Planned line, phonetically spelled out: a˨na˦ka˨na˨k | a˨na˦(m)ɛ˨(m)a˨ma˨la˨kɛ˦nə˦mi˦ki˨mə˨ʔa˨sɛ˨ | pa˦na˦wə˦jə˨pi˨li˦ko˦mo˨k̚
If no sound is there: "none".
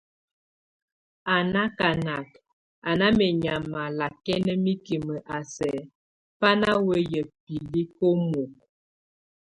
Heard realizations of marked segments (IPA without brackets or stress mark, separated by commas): m, ɲ